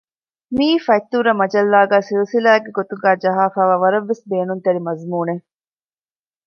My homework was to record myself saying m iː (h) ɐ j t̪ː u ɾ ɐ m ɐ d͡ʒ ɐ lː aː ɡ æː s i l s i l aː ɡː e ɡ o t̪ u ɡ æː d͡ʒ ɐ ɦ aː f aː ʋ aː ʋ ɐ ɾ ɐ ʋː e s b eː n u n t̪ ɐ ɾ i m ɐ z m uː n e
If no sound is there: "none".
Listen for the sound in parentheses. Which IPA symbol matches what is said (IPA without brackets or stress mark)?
f